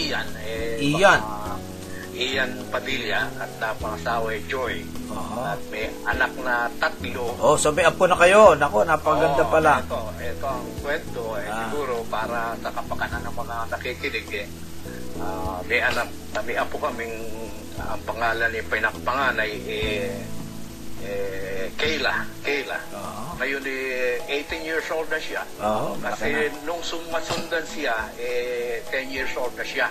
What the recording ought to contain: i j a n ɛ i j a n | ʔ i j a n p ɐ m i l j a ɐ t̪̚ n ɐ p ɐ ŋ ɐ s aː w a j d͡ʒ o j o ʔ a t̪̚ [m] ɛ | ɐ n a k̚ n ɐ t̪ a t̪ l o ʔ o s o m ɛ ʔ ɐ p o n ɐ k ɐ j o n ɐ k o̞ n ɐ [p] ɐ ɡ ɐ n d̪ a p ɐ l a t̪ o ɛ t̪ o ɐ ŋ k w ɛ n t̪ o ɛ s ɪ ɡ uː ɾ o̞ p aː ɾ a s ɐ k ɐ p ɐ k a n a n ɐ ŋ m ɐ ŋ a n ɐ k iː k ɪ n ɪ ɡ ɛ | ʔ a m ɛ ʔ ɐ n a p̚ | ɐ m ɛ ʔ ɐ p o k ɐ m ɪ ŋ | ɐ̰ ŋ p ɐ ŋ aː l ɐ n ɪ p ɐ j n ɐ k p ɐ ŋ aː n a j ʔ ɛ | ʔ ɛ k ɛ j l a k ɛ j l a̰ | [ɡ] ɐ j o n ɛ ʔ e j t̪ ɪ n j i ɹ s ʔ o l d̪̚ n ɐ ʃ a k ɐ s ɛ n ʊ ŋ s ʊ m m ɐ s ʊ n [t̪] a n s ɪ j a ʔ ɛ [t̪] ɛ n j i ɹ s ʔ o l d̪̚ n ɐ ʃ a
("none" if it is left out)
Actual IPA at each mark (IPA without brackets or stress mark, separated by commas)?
m, p, ŋ, d̪, t̪